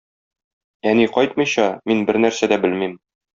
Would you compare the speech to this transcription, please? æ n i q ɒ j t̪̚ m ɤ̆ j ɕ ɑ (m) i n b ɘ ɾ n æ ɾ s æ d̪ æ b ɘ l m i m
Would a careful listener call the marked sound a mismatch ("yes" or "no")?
no